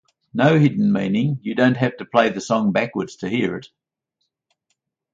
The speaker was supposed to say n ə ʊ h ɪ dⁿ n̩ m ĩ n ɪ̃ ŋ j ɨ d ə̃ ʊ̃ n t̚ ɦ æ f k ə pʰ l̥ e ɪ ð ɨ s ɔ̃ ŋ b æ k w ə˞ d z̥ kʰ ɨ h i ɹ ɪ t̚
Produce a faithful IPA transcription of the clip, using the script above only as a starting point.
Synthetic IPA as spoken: n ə ʊ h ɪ dⁿ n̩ m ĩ n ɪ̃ ŋ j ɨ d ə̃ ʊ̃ n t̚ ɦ æ f t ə pʰ l̥ e ɪ ð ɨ s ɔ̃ ŋ b æ k w ə˞ d z̥ tʰ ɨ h i ɹ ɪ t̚